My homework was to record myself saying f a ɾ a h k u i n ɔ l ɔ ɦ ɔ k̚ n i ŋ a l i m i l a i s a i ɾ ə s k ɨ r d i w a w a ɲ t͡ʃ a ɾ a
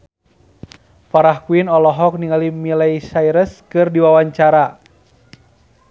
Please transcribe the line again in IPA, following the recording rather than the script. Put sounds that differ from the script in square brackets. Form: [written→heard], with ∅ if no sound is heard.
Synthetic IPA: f a ɾ a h k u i n ɔ l ɔ ɦ ɔ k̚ n i ŋ a l i m i l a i s a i ɾ ə s k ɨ r d i w a w a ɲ t͡ʃ a ɾ a